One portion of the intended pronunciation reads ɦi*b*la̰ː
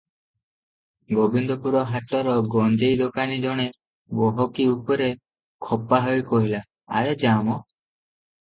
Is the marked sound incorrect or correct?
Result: incorrect